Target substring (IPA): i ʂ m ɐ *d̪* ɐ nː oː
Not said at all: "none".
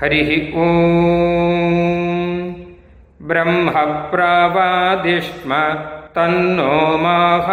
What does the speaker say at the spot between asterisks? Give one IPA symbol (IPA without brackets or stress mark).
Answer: t̪